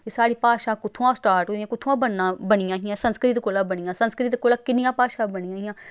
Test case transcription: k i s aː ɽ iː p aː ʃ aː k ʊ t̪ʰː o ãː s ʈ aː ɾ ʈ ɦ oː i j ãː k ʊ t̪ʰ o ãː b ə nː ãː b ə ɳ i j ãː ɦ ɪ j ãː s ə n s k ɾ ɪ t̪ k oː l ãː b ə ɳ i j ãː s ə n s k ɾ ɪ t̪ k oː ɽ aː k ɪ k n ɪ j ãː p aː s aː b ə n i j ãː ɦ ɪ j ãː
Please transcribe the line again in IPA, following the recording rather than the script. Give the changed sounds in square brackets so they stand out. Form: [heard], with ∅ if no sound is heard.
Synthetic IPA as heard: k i s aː ɽ iː p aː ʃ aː k ʊ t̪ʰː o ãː s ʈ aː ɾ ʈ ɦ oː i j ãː k ʊ t̪ʰ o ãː b ə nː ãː b ə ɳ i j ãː ɦ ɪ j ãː s ə n s k ɾ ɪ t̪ k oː l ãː b ə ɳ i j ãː s ə n s k ɾ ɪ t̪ k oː [l] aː k ɪ [∅] n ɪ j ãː p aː [ʃ] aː b ə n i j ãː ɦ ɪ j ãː